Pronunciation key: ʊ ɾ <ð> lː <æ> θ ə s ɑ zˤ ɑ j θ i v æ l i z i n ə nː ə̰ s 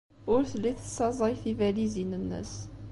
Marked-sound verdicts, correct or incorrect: incorrect, incorrect

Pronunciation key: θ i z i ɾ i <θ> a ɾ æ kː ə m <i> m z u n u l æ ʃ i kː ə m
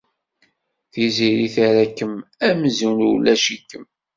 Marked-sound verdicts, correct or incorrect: correct, incorrect

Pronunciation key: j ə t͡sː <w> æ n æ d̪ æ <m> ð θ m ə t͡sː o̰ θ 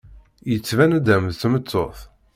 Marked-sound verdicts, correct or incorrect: incorrect, correct

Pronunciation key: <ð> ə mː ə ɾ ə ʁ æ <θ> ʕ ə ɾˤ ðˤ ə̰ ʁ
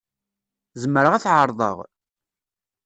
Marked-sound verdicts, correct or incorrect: incorrect, correct

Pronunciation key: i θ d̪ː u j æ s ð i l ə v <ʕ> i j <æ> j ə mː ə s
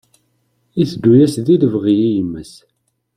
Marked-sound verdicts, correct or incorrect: incorrect, incorrect

